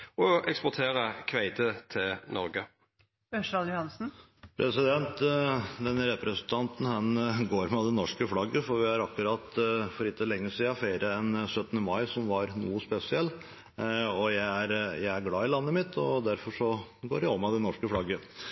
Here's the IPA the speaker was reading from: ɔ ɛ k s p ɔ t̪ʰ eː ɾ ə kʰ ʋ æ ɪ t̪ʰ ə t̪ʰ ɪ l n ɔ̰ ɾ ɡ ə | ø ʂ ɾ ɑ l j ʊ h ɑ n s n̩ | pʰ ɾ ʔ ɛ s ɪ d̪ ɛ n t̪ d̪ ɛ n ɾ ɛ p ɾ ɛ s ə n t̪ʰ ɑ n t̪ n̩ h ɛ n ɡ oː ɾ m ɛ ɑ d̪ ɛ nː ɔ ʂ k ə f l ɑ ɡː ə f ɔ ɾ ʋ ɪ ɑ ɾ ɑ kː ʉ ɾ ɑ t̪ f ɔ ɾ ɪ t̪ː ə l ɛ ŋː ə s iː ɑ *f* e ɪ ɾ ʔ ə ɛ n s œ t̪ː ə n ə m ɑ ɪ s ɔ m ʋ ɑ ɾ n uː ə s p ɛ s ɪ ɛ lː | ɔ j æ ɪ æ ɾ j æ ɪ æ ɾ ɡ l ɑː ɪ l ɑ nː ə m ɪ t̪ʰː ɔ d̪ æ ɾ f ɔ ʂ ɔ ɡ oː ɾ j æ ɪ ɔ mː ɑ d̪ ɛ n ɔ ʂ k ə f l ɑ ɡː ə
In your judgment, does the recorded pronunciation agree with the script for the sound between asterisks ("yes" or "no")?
yes